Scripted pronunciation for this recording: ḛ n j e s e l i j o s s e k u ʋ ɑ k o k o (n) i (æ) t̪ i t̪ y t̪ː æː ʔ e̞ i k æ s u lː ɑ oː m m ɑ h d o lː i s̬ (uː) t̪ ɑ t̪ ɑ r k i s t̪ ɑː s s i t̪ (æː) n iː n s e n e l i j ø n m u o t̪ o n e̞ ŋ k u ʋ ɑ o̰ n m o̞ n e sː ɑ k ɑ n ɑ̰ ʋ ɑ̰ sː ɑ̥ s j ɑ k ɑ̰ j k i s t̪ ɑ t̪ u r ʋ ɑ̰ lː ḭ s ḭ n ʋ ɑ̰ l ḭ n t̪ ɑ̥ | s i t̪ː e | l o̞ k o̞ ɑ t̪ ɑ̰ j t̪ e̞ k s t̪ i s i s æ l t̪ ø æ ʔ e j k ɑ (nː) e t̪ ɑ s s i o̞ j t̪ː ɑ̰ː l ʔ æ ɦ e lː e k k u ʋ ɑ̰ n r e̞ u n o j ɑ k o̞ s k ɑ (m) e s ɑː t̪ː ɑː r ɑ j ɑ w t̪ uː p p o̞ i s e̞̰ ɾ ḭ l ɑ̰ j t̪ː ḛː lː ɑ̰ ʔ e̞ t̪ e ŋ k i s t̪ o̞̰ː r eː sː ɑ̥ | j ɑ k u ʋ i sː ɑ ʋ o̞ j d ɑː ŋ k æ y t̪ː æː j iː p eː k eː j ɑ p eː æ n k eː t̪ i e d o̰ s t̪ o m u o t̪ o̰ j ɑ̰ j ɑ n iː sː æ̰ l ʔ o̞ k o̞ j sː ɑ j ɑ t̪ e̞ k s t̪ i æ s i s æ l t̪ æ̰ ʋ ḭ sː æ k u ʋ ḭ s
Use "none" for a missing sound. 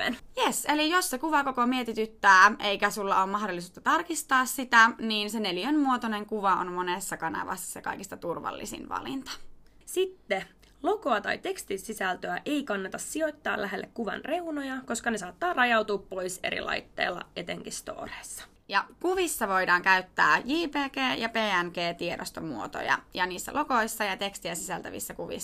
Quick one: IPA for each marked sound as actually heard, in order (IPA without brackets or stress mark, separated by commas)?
m, e, uː, æ, nː, n